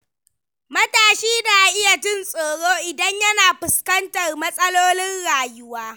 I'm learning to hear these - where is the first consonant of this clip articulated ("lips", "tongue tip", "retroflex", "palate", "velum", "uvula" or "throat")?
lips